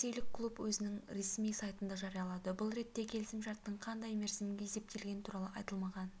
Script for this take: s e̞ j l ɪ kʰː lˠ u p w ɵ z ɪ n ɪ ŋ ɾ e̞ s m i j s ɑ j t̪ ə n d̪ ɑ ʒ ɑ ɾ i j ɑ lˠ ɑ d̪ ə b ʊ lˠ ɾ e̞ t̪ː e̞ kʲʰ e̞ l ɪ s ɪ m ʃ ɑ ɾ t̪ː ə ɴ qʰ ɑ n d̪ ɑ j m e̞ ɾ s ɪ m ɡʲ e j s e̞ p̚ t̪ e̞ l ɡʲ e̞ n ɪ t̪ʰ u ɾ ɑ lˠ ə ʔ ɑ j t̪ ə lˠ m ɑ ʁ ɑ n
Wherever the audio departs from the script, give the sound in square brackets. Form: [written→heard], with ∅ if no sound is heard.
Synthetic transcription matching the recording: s e̞ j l ɪ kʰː lˠ u p w ɵ z ɪ n ɪ ŋ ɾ e̞ s m i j s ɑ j t̪ ə n d̪ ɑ ʒ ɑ ɾ i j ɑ lˠ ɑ d̪ ə b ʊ lˠ ɾ e̞ t̪ː e̞ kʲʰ e̞ l ɪ s ɪ m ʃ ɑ ɾ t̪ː ə ɴ qʰ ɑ n d̪ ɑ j m e̞ ɾ s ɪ m ɡʲ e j s e̞ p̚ t̪ e̞ l ɡʲ e̞ n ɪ t̪ʰ u ɾ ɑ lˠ ə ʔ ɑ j t̪ ə lˠ m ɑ ʁ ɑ n